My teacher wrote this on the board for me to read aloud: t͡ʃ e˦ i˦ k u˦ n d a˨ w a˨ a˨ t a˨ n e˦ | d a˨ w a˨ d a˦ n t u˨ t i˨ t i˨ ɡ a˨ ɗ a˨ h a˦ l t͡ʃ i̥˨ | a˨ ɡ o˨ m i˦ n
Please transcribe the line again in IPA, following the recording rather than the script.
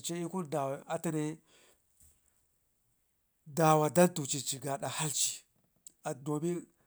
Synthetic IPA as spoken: t͡ʃ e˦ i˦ k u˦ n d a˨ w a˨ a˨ t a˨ n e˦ | d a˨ w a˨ d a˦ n t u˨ t͡ʃ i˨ t͡ʃ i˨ ɡ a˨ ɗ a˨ h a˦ l t͡ʃ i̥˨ | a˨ d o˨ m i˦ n